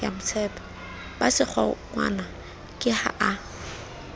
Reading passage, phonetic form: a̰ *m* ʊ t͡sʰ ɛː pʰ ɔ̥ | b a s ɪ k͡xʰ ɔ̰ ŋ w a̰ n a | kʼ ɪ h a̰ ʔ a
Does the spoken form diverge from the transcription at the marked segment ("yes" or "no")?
no